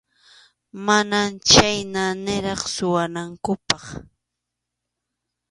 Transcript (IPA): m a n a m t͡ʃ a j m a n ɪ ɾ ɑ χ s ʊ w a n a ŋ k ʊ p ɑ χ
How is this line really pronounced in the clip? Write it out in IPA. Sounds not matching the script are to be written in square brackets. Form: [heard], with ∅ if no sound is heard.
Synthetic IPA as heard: m a n a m t͡ʃ a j [n] a n ɪ ɾ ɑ χ s ʊ w a n a ŋ k ʊ p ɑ χ